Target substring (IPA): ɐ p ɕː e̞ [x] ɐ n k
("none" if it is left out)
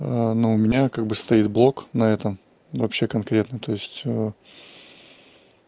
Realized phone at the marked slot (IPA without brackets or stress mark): k